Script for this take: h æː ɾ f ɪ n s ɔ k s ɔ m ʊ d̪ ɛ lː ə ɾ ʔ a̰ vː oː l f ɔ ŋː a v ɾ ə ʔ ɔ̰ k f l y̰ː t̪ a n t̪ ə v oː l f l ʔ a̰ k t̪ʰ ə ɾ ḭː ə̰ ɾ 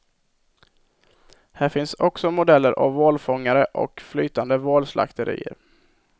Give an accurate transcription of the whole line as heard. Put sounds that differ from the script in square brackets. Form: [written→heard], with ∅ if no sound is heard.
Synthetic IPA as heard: h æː ɾ f ɪ n s ɔ k s ɔ m ʊ d̪ ɛ lː ə ɾ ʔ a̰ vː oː l f ɔ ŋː a [v→∅] ɾ ə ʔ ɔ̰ k f l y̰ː t̪ a n [t̪→d̪] ə v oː l [f→s] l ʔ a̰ k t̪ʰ ə ɾ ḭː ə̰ ɾ

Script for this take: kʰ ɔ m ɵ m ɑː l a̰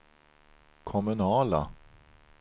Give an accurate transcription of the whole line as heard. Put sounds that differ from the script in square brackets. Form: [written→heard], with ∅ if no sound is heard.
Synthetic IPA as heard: kʰ ɔ m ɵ [m→n] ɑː l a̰

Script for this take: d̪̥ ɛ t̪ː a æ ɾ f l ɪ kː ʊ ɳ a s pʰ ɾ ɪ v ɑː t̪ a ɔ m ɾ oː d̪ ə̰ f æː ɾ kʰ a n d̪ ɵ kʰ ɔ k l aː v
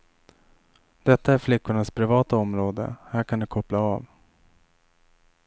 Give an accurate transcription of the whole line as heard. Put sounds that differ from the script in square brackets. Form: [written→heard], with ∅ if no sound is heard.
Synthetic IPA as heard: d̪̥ ɛ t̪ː a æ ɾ f l ɪ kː ʊ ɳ a s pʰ ɾ ɪ v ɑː t̪ a ɔ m ɾ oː d̪ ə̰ [f→h] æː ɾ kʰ a n d̪ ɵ kʰ ɔ [k→p] l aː v

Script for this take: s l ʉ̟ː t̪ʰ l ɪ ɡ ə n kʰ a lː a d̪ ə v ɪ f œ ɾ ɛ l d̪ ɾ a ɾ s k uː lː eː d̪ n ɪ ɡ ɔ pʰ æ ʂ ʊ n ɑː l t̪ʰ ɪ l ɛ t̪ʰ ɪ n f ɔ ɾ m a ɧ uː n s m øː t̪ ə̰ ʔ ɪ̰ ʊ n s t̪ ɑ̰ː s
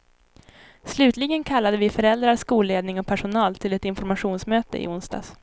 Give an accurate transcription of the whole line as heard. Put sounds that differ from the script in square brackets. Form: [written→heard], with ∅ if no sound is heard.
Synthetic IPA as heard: s l ʉ̟ː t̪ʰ l ɪ ɡ ə n kʰ a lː a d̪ ə v ɪ f œ ɾ ɛ l d̪ ɾ a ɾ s k uː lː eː d̪ n ɪ [ɡ→ŋ] ɔ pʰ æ ʂ ʊ n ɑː l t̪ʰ ɪ l ɛ [t̪ʰ→t̪] ɪ n f ɔ ɾ m a ɧ uː n s m øː t̪ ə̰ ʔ ɪ̰ ʊ n s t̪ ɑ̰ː s

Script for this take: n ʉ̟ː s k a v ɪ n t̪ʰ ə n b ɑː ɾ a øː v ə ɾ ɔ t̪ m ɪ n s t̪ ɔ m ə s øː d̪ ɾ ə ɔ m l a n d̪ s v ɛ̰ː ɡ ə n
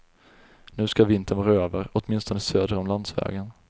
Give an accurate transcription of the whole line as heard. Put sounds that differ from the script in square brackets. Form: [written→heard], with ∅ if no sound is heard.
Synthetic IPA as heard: n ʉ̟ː s k a v ɪ n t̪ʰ ə n [b→v] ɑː ɾ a øː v ə ɾ ɔ t̪ m ɪ n s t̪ ɔ [m→n] ə s øː d̪ ɾ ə ɔ m l a n d̪ s v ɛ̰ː ɡ ə n

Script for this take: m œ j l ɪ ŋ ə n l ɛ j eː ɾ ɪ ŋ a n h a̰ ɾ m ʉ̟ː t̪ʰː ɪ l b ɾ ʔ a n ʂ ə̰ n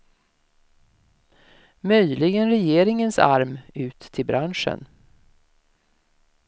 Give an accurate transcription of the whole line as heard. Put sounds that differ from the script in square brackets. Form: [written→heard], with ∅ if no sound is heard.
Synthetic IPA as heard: m œ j l ɪ [ŋ→ɡ] ə n [l→ɾ] ɛ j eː ɾ ɪ ŋ [a→ə] n [h→s] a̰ ɾ m ʉ̟ː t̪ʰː ɪ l b ɾ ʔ a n ʂ ə̰ n

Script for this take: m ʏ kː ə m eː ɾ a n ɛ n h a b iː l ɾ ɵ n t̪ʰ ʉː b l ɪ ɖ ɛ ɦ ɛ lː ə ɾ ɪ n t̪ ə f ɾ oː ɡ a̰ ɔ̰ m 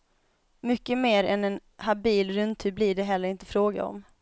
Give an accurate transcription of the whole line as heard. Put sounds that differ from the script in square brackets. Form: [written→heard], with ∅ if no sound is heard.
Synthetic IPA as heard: m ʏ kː ə m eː ɾ [a→ɛ] n ɛ n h a b iː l ɾ ɵ n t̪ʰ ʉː b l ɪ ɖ ɛ ɦ ɛ lː ə ɾ ɪ n t̪ ə f ɾ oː ɡ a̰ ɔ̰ m

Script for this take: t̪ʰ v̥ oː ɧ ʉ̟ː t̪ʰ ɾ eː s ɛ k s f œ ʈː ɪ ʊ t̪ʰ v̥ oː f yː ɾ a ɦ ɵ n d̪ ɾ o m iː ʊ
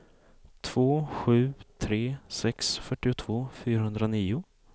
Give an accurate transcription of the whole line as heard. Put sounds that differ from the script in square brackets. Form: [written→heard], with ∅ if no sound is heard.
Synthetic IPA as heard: t̪ʰ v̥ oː ɧ ʉ̟ː t̪ʰ ɾ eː s ɛ k s f œ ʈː ɪ ʊ t̪ʰ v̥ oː f yː ɾ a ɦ ɵ n d̪ ɾ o [m→n] iː ʊ

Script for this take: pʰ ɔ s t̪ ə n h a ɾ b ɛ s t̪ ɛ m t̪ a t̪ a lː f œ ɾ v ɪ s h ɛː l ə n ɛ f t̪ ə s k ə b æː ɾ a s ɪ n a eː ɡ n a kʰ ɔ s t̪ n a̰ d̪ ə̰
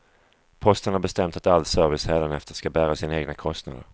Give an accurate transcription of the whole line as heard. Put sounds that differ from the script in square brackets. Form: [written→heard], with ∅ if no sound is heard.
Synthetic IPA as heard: pʰ ɔ s t̪ ə n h a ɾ b ɛ s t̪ ɛ m t̪ a t̪ a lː [f→s] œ ɾ v ɪ s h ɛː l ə n ɛ f t̪ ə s k [ə→a] b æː ɾ a s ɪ n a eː ɡ n a kʰ ɔ s t̪ n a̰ d̪ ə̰

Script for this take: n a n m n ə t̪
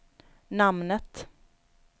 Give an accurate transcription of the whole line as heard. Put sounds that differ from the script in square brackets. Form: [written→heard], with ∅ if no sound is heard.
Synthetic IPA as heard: n a [n→∅] m n ə t̪

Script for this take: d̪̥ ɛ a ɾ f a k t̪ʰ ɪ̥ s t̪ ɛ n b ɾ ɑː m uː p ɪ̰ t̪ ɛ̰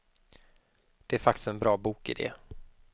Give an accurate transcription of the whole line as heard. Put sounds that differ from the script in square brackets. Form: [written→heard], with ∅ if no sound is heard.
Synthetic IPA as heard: d̪̥ ɛ [a→æ] ɾ f a k [t̪ʰ→t̪] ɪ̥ s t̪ ɛ n b ɾ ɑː [m→b] uː [p→k] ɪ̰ [t̪→d̪] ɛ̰

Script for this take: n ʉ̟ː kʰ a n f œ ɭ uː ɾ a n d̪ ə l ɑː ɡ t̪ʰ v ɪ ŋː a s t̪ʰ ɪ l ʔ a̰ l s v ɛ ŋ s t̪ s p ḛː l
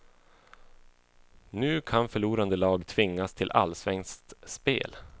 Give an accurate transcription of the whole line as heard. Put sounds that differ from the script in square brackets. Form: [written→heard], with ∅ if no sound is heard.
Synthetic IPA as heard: n ʉ̟ː kʰ a n f œ ɭ uː ɾ a n d̪ ə l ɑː ɡ t̪ʰ v ɪ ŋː a s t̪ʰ ɪ l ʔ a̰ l s v ɛ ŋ s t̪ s p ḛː l

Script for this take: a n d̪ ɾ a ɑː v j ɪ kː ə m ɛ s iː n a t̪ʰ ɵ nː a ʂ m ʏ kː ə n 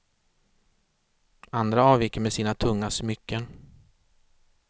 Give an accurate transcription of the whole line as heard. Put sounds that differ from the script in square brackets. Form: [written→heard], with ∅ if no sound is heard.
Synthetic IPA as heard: a n d̪ ɾ a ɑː v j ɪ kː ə m ɛ s iː n a t̪ʰ ɵ [nː→ŋː] a [ʂ→s] m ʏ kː ə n

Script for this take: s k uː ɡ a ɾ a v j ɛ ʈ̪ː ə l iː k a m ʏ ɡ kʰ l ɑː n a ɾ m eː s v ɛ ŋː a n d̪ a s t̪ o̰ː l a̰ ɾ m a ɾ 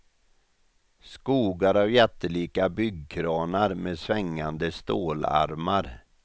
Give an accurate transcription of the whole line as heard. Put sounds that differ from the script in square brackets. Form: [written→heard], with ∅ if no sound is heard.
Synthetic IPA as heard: s k uː ɡ a ɾ a v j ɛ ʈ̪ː ə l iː k a [m→b] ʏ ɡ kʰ [l→ɾ] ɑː n a ɾ m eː s v ɛ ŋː a n d̪ [a→ə] s t̪ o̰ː l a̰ ɾ m a ɾ

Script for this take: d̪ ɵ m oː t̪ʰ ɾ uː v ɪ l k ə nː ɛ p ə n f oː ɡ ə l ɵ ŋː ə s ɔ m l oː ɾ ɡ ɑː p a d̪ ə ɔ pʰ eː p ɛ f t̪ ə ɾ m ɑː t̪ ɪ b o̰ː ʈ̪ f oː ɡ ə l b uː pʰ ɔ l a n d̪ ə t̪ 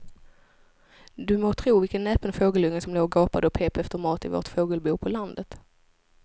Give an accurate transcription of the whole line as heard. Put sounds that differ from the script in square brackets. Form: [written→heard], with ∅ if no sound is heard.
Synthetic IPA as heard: d̪ ɵ m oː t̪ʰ ɾ uː v ɪ l k ə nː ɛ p ə n f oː ɡ ə l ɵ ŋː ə s ɔ m l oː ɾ ɡ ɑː p a d̪ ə ɔ pʰ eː p ɛ f t̪ ə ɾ m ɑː t̪ ɪ [b→v] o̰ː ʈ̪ f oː ɡ ə l b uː pʰ ɔ l a n d̪ ə t̪

